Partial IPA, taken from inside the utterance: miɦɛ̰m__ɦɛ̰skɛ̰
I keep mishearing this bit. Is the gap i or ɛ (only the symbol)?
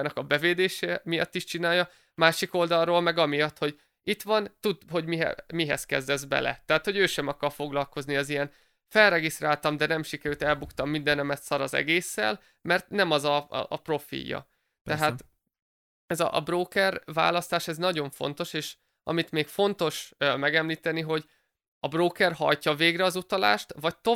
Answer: i